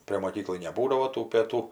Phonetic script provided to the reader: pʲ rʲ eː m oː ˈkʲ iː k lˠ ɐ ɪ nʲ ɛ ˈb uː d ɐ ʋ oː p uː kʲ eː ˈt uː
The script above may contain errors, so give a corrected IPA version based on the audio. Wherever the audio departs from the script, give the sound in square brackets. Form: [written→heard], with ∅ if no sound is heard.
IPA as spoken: pʲ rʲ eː m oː ˈkʲ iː k lˠ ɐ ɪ nʲ ɛ ˈb uː d ɐ ʋ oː [p→t] uː [kʲ→pʲ] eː ˈt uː

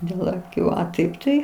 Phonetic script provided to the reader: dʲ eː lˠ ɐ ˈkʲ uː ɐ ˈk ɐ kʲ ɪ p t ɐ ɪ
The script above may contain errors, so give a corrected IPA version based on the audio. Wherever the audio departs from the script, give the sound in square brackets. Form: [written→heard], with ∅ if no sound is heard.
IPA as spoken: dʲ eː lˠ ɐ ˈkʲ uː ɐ [ˈk→ˈt] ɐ [kʲ→∅] ɪ p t ɐ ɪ

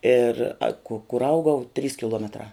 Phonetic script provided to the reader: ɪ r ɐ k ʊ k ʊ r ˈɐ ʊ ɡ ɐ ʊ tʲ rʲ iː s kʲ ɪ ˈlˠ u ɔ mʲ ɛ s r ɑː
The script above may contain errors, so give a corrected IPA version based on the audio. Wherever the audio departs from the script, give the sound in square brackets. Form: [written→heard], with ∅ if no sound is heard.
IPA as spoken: ɪ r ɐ k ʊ k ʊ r ˈɐ ʊ ɡ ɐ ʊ tʲ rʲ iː s kʲ ɪ ˈlˠ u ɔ mʲ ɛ [s→t] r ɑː

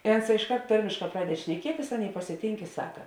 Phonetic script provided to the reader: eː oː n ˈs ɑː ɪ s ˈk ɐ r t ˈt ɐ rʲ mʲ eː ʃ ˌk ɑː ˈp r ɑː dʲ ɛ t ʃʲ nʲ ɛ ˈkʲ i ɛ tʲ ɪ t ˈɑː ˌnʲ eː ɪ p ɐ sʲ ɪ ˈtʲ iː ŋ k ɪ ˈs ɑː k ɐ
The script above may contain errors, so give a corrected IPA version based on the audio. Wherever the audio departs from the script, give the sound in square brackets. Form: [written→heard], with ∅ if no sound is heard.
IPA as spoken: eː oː n ˈs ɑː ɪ [s→ʃ] ˈk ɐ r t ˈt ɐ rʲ mʲ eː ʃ ˌk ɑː ˈp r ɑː dʲ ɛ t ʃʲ nʲ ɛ ˈkʲ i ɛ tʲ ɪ [t→s] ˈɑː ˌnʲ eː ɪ p ɐ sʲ ɪ ˈtʲ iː ŋ k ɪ ˈs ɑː k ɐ

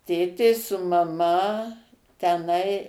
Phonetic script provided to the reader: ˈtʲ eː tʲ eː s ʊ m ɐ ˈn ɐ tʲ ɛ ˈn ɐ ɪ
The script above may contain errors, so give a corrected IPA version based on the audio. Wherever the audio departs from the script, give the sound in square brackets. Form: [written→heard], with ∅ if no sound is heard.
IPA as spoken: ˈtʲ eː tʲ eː s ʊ m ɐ [ˈn→ˈm] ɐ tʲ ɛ ˈn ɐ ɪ

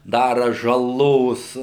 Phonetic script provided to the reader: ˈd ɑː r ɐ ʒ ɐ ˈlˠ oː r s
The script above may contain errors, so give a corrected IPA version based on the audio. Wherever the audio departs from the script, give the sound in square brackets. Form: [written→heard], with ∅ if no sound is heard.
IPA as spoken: ˈd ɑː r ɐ ʒ ɐ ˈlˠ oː [r→∅] s

